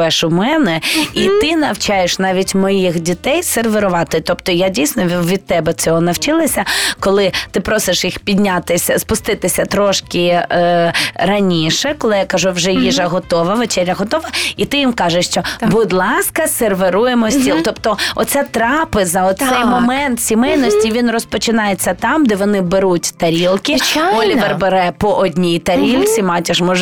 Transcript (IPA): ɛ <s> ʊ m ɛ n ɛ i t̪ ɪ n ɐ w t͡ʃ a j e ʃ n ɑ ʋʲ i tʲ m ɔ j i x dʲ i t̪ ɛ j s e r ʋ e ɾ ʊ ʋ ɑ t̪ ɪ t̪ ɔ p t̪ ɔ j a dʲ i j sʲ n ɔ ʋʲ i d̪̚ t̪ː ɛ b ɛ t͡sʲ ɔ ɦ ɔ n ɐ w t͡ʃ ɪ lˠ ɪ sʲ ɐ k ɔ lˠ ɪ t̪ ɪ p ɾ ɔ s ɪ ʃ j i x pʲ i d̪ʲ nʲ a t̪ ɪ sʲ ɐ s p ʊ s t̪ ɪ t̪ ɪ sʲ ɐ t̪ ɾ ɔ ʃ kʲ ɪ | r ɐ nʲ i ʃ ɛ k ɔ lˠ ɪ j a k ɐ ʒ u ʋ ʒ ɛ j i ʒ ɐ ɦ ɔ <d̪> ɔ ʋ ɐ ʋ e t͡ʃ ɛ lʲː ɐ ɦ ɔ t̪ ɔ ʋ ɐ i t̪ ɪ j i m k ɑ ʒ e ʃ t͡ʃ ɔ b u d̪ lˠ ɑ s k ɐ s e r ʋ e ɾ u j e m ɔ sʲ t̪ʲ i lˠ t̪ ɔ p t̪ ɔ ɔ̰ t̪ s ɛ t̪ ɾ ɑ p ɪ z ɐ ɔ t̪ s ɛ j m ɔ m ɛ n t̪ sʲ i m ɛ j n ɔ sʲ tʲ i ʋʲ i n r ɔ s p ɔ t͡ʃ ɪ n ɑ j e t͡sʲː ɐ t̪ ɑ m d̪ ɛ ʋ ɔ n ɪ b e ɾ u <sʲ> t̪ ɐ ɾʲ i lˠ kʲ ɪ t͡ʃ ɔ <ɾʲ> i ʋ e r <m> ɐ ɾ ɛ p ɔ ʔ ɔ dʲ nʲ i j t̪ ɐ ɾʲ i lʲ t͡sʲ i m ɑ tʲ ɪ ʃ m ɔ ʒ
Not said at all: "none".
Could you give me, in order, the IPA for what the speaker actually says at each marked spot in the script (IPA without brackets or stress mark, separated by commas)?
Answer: ʃ, t̪, tʲ, lʲ, b